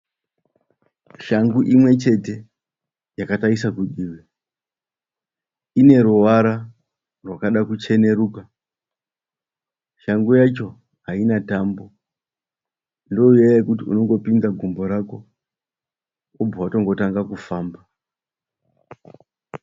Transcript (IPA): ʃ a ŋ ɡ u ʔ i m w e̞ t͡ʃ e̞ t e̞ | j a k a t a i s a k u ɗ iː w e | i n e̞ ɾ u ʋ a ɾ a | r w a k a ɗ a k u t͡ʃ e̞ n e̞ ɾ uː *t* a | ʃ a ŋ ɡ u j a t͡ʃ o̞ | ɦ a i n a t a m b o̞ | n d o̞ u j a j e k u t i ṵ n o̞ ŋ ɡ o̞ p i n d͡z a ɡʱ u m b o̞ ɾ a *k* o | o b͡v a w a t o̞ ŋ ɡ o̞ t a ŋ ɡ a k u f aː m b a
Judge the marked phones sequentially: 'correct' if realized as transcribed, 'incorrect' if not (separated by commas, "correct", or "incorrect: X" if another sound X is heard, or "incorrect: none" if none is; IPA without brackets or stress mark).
incorrect: k, correct